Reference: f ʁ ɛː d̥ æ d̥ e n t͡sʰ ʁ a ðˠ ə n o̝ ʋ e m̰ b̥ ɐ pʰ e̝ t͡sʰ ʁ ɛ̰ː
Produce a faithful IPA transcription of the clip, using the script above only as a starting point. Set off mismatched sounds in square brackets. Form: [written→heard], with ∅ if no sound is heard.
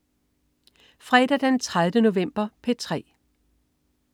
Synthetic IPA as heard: f ʁ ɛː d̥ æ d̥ e n t͡sʰ ʁ a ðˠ ə n o̝ ʋ e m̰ b̥ ɐ pʰ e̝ t͡sʰ ʁ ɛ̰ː